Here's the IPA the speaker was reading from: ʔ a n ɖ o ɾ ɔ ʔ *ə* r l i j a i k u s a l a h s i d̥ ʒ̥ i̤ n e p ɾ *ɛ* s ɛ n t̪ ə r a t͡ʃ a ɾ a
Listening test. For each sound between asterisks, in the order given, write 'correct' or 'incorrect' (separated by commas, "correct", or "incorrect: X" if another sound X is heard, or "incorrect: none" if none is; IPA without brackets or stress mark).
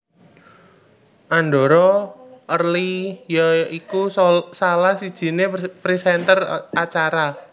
correct, incorrect: i